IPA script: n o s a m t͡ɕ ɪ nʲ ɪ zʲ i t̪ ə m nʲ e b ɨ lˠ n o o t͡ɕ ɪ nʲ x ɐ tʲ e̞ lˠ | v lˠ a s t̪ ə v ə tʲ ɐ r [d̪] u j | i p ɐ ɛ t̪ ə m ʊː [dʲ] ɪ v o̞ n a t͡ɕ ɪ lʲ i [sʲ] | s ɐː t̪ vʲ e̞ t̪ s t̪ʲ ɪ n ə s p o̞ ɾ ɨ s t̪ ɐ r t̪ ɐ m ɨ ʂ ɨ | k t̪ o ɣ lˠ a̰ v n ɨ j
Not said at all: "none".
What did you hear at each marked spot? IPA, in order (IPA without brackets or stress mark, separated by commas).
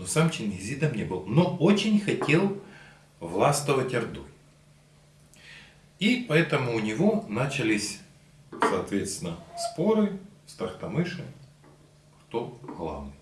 d̪, nʲ, sʲ